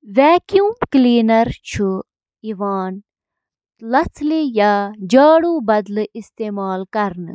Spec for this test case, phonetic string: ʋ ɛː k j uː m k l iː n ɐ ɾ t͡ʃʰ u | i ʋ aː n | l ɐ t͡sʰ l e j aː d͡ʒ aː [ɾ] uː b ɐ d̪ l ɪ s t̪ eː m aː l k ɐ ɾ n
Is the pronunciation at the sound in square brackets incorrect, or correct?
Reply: incorrect